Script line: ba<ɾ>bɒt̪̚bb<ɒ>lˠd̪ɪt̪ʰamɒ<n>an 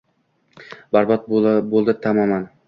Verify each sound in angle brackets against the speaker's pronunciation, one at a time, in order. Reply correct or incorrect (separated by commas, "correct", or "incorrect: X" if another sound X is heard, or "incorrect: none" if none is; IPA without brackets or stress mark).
correct, incorrect: o, incorrect: m